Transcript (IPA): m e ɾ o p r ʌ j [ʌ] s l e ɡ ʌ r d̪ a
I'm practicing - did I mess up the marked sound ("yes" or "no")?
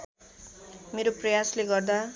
yes